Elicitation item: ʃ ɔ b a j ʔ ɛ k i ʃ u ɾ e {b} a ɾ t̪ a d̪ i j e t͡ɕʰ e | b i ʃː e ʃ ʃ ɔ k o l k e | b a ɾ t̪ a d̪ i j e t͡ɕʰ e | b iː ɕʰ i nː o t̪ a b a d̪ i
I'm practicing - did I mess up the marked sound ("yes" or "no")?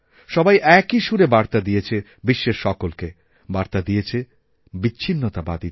no